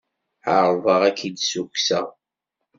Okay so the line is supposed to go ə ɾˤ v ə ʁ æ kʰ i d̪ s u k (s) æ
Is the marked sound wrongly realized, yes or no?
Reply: no